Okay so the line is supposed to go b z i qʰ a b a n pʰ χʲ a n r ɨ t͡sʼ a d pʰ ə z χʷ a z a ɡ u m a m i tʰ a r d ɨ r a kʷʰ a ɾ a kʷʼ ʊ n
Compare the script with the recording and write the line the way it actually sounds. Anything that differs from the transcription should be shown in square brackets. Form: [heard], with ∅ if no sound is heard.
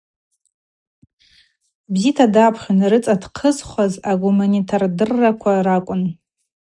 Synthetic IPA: b z i [tʰ] a [d] a [∅] pʰ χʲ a n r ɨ t͡sʼ a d [qʰ] ə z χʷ a z a ɡ u m a [n] i tʰ a r d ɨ [rː] a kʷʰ a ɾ a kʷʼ ʊ n